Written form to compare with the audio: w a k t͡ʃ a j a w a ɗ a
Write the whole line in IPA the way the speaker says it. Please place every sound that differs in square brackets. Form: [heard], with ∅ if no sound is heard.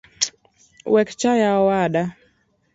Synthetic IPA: w [ɛ] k t͡ʃ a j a w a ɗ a

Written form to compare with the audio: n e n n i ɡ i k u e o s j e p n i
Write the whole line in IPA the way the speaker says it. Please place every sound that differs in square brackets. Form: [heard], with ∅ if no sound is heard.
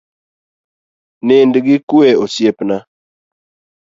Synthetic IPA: n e n [d] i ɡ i k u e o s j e p n [a]

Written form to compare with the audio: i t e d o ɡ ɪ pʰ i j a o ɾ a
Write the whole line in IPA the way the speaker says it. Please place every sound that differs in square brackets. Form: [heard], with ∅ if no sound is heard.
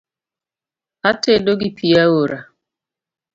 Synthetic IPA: [a] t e d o ɡ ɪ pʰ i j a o ɾ a

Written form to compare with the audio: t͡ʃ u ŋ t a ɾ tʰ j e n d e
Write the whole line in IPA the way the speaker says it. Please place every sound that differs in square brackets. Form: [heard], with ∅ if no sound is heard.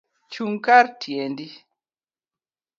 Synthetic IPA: t͡ʃ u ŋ [k] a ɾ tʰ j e n d [i]

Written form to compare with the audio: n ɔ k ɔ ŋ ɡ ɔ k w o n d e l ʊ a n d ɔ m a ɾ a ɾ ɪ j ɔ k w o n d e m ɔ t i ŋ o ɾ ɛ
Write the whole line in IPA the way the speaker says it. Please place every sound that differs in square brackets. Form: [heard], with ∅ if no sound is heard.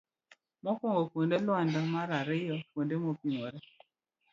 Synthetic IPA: [m] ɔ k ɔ ŋ ɡ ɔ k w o n d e l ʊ a n d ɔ m a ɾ a ɾ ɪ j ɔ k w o n d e m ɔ [p] i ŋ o ɾ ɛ

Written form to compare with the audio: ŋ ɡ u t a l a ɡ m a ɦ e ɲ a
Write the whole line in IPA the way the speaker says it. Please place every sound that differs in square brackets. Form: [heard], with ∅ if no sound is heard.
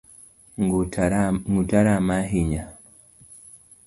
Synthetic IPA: ŋ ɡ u t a [ɾ] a [∅] m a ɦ [i] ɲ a

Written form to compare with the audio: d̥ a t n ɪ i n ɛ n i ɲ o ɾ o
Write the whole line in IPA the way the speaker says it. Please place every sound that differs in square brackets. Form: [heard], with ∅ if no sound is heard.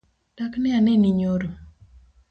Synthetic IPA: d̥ a [k] n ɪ [a] n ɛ n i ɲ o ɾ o

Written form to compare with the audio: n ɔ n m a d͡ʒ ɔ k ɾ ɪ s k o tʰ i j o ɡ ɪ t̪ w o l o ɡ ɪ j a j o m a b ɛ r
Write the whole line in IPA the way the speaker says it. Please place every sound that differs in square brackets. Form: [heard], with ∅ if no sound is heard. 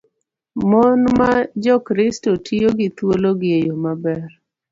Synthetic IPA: [m] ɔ n m a d͡ʒ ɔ k ɾ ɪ s [t] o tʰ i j o ɡ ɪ t̪ w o l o ɡ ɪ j [e] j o m a b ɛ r

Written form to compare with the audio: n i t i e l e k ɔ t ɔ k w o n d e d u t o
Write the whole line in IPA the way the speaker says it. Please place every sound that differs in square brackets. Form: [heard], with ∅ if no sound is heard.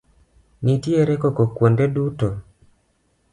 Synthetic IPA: n i t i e [ɾ] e k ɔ [k] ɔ k w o n d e d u t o

